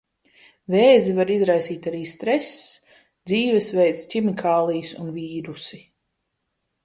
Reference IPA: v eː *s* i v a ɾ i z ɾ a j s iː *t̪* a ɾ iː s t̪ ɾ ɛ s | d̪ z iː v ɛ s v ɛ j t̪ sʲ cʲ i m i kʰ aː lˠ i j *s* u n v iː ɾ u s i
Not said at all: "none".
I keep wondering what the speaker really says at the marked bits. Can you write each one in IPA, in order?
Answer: z, t̪, s

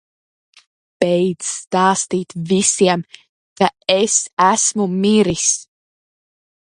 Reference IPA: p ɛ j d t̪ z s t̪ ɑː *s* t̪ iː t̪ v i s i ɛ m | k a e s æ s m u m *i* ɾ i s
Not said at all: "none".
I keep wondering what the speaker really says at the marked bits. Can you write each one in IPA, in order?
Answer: s, i

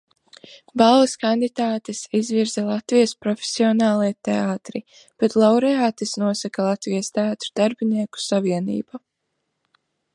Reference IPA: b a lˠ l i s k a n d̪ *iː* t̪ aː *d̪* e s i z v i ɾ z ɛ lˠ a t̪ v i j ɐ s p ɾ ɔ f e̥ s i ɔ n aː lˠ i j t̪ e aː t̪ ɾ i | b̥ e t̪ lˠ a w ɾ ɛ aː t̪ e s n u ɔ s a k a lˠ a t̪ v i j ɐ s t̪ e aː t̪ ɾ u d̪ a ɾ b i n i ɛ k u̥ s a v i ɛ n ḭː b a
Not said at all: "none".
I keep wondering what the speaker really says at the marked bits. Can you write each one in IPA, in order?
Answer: i, t̪

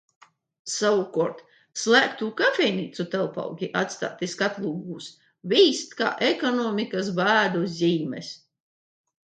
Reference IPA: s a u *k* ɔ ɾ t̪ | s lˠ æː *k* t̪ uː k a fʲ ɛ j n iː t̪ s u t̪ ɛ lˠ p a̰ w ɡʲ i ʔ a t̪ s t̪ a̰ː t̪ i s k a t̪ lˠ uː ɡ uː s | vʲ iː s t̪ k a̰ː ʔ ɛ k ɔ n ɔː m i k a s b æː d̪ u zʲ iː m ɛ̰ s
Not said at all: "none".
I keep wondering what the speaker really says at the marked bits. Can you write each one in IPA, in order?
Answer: k, k

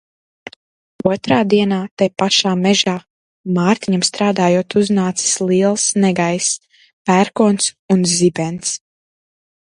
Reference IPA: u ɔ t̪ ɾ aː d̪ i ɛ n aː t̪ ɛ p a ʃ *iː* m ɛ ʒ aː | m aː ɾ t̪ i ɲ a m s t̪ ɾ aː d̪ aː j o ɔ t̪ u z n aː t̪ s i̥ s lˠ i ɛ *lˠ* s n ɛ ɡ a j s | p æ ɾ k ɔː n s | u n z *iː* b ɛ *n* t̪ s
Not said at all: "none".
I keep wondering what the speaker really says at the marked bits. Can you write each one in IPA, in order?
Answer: aː, lˠ, i, n

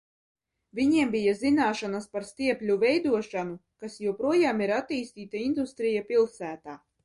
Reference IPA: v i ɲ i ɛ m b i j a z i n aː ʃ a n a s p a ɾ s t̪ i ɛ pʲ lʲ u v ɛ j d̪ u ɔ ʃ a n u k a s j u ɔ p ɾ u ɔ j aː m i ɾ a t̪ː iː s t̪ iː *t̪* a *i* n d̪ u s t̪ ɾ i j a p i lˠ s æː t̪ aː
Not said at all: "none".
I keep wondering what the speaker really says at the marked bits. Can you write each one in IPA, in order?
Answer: t̪, i

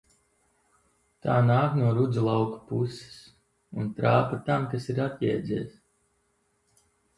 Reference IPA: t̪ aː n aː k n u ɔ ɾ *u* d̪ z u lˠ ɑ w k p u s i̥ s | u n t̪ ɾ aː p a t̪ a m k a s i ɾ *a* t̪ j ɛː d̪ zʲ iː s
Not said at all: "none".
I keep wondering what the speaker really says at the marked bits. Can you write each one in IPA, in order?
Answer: u, a

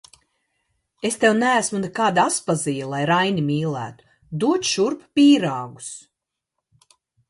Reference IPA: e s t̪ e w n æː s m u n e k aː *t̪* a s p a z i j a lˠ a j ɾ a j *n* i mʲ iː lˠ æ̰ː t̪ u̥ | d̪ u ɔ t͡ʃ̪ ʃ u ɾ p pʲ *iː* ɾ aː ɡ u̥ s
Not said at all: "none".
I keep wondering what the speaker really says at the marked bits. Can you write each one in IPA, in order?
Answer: d̪, n, iː

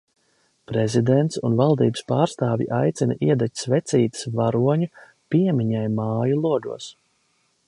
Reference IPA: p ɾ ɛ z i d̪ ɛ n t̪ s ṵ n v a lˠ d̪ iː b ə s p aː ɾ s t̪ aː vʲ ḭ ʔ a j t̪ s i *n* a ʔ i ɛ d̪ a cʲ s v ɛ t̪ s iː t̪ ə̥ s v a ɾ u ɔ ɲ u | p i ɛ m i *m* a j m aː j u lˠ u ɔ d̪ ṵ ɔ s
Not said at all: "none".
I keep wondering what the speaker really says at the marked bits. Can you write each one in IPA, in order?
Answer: n, ɲ

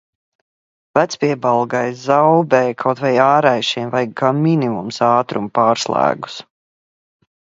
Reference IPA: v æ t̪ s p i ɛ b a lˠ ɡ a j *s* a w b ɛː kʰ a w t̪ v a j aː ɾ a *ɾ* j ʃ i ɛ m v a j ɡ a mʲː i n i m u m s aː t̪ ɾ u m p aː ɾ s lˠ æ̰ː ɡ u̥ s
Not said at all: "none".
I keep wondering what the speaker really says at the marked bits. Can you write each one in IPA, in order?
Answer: z, none

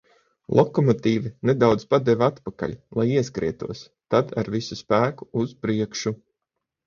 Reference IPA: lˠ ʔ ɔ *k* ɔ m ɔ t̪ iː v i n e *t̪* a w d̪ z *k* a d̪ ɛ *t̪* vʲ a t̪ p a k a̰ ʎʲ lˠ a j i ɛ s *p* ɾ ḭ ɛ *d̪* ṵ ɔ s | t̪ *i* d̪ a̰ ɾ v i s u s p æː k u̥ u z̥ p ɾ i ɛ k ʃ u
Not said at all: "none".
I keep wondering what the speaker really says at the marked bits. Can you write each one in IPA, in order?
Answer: k, d̪, p, none, k, t̪, a

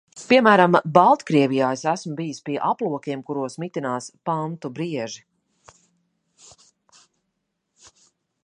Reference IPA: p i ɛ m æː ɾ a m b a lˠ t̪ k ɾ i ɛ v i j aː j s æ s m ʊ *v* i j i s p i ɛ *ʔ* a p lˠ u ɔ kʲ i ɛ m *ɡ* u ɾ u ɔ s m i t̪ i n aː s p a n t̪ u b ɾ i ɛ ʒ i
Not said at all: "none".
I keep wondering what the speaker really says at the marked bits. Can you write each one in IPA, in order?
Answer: b, ʔ, k

